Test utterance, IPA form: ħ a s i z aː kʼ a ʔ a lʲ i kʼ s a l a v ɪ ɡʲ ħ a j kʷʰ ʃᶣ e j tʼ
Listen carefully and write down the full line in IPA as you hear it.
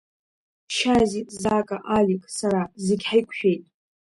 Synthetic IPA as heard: ʃ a z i z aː kʼ a ʔ a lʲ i kʼ s a ɾ a z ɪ ɡʲ ħ a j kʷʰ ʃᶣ e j tʼ